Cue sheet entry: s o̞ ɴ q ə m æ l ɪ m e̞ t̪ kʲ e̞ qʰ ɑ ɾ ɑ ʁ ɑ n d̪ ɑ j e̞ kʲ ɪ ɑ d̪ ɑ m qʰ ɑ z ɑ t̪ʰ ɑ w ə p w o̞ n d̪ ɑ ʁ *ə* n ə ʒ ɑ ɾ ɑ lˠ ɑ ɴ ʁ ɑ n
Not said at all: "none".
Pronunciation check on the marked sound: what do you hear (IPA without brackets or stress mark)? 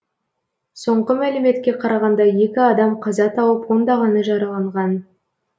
ɑ